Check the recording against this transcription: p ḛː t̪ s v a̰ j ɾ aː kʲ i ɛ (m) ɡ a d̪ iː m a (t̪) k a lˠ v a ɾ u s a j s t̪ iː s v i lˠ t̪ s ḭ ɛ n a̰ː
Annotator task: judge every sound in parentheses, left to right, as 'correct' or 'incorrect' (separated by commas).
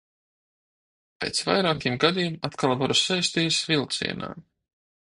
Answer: correct, correct